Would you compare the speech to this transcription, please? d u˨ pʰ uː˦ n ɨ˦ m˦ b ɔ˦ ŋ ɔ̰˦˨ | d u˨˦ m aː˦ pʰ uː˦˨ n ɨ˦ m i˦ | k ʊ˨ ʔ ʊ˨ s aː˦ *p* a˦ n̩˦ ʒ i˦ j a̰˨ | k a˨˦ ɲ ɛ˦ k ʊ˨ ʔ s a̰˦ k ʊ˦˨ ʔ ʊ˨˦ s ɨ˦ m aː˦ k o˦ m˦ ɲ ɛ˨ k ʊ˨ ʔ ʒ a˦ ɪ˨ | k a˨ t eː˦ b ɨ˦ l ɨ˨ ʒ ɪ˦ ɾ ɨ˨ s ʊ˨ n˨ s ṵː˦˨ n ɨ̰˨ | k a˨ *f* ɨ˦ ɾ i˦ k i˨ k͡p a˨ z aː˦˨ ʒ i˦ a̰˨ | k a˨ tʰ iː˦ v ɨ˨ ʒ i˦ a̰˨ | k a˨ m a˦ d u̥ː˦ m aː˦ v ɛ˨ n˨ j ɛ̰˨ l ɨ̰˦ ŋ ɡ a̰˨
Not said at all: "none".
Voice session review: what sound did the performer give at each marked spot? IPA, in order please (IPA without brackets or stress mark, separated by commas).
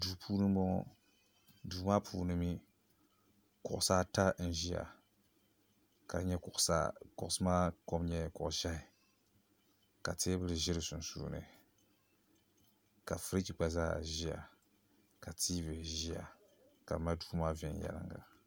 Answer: t, f